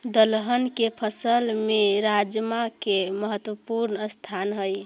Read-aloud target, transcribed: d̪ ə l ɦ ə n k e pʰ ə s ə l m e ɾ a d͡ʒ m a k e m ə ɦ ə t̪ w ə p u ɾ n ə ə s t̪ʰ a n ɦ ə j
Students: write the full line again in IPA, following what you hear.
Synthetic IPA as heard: d̪ ə l ɦ ə n k e pʰ ə s ə l m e ɾ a d͡ʒ m a k e m ə ɦ ə t̪ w ə p u ɾ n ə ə s t̪ʰ a n ɦ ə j